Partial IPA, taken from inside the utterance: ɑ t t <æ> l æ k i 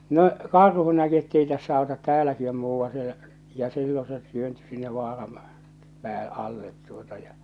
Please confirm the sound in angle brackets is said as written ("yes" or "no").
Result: no